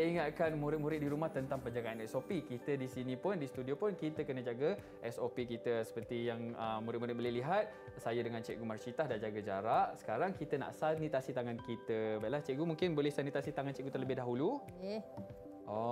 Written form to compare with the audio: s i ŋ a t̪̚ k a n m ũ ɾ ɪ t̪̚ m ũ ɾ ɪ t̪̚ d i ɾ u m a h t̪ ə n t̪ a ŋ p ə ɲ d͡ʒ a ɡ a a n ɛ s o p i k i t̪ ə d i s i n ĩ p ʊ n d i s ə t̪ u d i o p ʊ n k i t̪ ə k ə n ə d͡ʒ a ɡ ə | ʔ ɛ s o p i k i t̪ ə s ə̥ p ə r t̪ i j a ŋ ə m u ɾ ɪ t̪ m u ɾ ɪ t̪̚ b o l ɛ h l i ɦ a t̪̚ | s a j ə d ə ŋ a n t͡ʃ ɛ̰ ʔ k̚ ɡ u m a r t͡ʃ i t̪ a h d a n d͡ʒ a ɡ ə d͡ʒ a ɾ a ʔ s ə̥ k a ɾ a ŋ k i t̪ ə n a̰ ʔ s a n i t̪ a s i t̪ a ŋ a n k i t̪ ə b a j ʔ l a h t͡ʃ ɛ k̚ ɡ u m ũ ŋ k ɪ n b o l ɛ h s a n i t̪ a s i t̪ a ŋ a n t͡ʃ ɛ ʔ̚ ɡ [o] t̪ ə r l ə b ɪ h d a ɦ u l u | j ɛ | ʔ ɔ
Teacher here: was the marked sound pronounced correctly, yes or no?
no